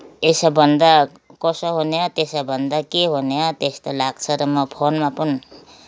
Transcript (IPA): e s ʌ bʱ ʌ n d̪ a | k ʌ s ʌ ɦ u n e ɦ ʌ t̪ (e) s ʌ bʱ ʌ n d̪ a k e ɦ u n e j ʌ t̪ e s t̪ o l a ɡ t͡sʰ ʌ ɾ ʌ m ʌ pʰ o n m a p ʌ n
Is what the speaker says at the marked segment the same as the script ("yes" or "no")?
yes